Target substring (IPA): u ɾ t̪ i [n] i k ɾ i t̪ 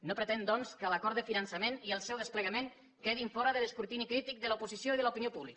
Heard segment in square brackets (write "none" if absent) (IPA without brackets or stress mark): n